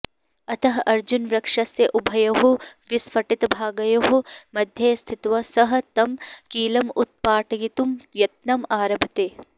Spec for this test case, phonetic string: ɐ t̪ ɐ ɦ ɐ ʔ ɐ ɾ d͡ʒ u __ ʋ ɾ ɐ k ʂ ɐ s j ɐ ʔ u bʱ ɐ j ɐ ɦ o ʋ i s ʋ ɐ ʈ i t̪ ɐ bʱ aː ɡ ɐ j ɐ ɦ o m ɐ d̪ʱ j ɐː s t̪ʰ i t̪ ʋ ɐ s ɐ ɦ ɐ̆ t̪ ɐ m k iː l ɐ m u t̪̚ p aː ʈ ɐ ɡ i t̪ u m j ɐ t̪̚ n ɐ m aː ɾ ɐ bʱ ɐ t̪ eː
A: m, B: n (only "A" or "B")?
B